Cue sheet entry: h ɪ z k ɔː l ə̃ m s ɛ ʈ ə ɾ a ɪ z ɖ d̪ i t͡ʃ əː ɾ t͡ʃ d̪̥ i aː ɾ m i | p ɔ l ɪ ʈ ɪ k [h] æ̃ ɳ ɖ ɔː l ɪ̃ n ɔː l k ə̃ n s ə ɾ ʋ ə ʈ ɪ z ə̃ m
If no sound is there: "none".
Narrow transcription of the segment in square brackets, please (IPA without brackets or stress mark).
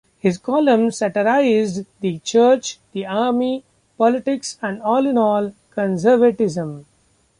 s